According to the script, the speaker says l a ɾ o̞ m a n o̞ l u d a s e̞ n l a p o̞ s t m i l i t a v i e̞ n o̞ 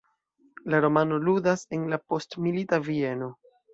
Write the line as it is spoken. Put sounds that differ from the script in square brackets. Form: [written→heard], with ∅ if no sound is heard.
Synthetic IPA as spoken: l a ɾ o̞ m a n o̞ l u d a s e̞ n l a p o̞ s t m i l i t a v i e̞ n o̞